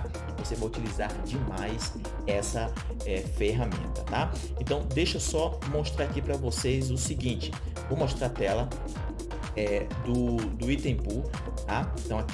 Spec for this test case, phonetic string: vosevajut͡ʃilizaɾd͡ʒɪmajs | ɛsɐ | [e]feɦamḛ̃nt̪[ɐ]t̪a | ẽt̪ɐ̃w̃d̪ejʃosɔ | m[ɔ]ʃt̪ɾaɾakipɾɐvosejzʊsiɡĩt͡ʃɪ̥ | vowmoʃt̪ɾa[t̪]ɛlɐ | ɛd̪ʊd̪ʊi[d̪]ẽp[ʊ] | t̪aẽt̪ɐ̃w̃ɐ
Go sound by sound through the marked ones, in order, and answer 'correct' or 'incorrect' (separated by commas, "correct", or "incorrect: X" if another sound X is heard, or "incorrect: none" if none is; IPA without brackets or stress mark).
incorrect: ɛ, correct, incorrect: o, correct, incorrect: t̪, incorrect: u